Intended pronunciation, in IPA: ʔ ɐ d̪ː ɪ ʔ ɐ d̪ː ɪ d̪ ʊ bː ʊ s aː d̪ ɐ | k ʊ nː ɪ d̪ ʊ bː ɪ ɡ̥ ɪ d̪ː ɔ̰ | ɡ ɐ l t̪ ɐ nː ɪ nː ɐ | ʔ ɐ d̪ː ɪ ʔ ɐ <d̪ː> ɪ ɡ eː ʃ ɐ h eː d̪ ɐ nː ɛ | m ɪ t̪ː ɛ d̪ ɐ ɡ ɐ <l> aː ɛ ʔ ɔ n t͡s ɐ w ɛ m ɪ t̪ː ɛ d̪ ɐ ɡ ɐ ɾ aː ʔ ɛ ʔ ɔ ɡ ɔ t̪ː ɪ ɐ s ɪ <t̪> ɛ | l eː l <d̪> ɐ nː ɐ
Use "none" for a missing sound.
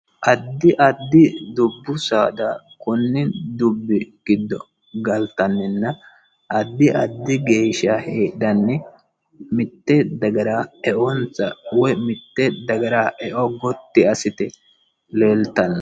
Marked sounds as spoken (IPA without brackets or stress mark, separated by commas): d̪ː, ɾ, t̪, t̪